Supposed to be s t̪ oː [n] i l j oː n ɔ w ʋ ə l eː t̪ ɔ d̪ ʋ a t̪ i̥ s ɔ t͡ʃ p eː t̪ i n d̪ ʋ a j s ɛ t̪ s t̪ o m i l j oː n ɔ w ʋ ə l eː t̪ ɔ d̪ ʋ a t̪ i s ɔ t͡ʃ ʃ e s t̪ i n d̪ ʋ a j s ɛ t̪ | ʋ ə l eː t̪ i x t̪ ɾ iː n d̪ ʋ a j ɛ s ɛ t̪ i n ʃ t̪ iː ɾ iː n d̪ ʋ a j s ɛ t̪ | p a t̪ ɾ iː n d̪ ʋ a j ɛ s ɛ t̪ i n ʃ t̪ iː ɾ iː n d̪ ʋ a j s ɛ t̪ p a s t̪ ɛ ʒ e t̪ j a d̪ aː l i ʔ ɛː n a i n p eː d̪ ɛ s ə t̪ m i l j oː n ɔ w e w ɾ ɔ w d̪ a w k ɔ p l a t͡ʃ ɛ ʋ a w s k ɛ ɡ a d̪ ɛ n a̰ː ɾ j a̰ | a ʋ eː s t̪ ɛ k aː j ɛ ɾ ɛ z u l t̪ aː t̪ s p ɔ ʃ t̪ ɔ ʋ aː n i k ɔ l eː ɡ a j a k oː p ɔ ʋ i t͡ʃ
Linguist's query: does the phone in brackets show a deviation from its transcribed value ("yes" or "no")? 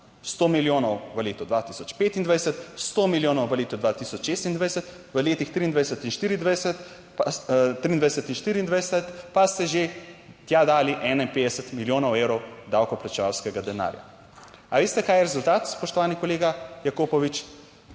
yes